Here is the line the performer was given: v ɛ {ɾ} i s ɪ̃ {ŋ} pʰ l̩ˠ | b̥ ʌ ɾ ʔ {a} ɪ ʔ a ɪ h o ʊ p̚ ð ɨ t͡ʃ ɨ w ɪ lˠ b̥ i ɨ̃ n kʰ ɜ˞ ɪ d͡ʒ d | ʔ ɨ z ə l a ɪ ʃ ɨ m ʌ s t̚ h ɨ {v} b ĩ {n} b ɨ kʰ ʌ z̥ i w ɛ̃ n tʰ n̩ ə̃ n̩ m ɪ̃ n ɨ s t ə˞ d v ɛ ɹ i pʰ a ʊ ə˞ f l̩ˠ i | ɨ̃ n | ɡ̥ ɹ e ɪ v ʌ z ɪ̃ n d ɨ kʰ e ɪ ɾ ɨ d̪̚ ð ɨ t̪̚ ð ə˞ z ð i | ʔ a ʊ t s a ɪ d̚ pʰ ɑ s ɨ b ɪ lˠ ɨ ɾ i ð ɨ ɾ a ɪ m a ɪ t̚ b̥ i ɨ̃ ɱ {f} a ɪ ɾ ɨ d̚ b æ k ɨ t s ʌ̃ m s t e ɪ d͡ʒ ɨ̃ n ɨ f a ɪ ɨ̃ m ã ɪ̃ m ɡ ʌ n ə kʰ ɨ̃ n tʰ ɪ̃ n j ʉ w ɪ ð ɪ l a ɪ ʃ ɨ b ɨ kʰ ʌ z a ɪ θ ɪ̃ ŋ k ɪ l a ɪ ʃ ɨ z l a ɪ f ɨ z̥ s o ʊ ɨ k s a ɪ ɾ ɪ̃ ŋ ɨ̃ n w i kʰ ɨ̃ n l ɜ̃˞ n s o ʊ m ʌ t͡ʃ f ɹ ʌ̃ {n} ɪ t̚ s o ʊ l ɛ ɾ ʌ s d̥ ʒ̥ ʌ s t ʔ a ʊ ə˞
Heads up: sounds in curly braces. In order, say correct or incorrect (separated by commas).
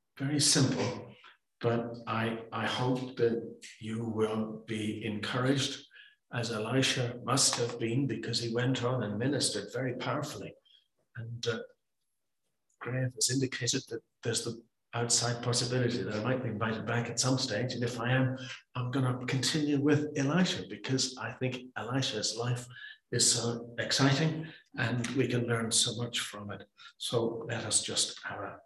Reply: incorrect, incorrect, correct, correct, correct, incorrect, incorrect